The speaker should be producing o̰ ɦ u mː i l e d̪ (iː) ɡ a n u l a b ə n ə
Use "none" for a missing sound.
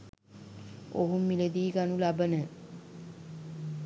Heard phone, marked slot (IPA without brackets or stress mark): iː